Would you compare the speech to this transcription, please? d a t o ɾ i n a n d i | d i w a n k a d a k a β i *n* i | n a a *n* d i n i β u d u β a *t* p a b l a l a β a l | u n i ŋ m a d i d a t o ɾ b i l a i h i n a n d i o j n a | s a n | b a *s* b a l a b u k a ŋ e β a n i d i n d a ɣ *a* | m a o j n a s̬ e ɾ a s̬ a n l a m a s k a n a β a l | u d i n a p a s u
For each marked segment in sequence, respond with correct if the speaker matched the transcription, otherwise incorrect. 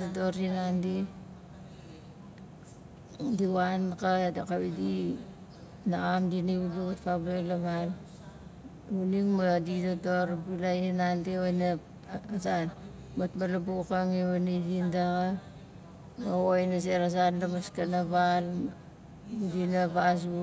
incorrect, incorrect, correct, incorrect, correct

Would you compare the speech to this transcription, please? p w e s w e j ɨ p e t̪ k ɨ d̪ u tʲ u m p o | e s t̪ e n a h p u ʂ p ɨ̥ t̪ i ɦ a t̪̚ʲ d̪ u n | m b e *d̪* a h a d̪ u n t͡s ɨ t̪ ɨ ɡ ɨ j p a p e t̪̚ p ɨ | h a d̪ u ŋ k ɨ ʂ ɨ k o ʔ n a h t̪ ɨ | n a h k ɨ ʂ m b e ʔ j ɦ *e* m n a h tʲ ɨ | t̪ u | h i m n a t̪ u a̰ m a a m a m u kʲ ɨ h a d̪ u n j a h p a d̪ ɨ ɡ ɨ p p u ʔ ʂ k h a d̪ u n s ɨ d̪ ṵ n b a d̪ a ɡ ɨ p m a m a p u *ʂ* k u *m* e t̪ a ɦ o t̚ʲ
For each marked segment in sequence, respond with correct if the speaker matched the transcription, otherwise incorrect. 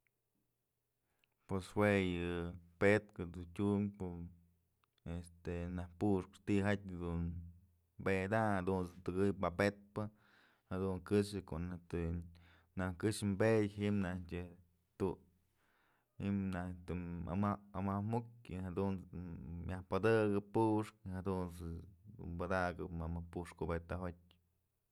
correct, incorrect, correct, incorrect

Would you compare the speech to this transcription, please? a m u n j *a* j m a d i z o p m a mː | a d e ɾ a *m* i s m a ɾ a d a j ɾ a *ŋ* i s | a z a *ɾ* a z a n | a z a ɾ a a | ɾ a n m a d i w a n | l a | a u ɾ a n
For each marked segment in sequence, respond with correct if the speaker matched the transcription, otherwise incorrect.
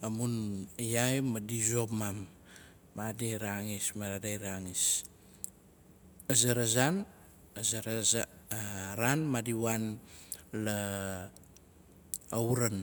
correct, incorrect, correct, correct

